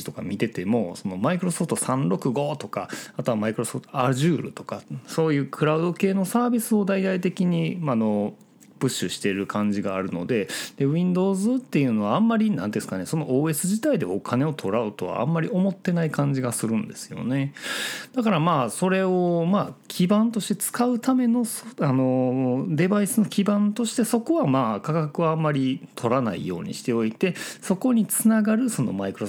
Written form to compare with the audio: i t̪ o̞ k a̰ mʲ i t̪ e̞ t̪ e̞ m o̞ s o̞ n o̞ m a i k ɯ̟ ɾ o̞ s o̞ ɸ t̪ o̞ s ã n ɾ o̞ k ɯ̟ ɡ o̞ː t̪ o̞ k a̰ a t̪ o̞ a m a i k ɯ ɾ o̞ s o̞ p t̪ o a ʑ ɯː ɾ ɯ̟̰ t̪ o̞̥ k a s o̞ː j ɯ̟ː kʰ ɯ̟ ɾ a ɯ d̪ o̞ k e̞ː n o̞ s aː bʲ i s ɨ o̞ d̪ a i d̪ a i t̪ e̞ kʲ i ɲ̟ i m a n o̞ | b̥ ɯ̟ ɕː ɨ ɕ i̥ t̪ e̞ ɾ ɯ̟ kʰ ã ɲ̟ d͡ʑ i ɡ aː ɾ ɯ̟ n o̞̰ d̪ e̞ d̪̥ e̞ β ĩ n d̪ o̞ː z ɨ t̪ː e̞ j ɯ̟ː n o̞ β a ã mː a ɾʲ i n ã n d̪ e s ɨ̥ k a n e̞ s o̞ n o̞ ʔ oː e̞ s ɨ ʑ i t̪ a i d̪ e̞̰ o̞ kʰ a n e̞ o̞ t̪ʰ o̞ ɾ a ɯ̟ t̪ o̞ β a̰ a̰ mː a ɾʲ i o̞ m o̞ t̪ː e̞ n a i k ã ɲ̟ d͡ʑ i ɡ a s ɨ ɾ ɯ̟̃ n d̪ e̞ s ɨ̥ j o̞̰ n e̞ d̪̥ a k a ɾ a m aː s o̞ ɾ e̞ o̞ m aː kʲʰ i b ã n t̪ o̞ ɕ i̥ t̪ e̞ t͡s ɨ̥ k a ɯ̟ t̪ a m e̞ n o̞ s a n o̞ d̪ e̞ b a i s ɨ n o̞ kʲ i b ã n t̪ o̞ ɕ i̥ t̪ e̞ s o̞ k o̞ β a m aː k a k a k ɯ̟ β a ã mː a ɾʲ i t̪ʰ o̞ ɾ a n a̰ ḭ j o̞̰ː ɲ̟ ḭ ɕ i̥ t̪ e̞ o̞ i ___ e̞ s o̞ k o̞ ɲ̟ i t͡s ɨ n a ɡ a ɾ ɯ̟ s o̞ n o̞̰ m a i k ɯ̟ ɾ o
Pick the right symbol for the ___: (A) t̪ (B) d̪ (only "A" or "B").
A